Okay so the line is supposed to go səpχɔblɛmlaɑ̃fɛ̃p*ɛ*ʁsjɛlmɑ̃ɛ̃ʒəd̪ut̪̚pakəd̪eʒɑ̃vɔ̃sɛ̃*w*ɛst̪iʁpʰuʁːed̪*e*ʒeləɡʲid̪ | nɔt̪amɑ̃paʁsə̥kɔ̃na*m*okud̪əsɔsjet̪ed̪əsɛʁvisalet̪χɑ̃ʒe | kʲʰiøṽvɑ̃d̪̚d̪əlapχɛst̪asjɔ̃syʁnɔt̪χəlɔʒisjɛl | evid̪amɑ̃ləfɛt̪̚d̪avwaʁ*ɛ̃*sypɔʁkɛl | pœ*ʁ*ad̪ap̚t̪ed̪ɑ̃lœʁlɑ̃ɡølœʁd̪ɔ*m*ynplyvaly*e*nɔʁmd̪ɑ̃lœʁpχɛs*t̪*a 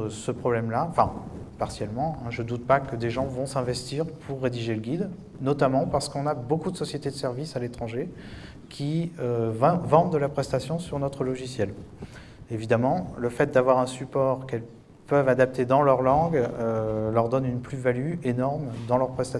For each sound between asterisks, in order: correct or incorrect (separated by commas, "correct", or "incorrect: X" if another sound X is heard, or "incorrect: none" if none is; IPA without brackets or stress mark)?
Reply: incorrect: a, incorrect: v, incorrect: i, incorrect: b, correct, incorrect: v, incorrect: n, correct, correct